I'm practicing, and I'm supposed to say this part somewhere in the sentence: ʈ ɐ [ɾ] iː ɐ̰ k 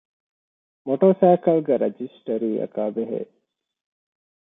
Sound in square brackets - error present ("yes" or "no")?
no